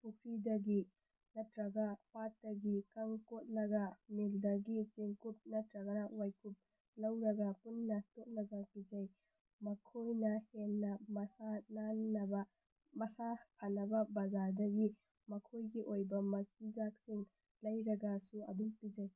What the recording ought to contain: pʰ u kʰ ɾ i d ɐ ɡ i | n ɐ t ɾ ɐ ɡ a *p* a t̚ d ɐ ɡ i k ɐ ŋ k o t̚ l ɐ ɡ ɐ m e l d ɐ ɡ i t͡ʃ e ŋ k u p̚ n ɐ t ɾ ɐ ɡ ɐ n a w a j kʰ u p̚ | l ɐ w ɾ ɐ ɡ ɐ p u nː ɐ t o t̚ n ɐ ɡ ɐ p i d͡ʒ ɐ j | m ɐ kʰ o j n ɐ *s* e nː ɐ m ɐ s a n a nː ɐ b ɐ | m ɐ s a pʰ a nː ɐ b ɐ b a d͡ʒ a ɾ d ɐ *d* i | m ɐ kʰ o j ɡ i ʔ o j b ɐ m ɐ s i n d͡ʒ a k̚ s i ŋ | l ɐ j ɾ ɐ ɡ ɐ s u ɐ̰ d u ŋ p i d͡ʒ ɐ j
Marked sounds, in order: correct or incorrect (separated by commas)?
correct, incorrect, incorrect